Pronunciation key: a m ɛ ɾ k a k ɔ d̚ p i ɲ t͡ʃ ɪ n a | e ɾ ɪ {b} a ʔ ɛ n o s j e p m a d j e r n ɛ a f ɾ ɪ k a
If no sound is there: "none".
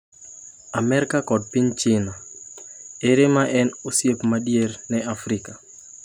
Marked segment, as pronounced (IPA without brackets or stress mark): m